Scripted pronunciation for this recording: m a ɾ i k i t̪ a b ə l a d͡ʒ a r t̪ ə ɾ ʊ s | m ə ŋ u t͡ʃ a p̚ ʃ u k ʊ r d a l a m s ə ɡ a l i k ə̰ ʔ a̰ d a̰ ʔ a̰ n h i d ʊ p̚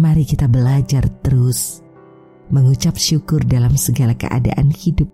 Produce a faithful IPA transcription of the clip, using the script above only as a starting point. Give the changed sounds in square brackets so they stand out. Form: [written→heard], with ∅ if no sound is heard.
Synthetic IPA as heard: m a ɾ i k i t̪ a b ə l a d͡ʒ a r t̪ ə ɾ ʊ s | m ə ŋ u t͡ʃ a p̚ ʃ u k ʊ r d a l a m s ə ɡ a l [i→a] k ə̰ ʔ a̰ d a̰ ʔ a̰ n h i d ʊ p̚